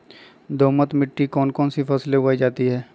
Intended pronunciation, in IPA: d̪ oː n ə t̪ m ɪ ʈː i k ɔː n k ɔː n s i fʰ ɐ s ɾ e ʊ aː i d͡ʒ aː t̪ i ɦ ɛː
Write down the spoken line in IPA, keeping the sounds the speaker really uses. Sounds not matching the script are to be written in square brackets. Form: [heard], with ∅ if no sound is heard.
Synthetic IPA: d̪ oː [m] ə t̪ m ɪ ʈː i k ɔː n k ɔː n s i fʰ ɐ s [l] e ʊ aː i d͡ʒ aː t̪ i ɦ ɛː